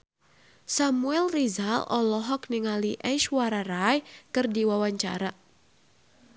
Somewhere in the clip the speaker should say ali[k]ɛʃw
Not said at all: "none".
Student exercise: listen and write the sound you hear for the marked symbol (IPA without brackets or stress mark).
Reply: ʔ